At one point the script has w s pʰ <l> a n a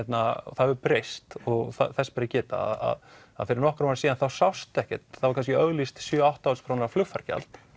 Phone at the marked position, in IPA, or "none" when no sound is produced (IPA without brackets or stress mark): ɾ